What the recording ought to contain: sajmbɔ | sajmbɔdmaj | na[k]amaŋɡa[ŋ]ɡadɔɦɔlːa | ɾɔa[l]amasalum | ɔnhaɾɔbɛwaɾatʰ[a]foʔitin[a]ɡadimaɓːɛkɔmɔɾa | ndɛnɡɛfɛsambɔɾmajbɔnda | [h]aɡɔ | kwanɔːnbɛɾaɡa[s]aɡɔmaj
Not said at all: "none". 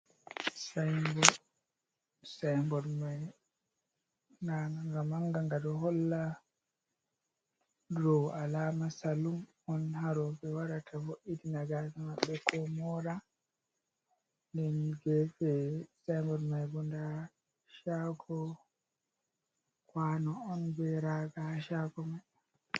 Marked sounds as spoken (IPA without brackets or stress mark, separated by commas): ɡ, ŋ, l, a, a, ʃ, ʃ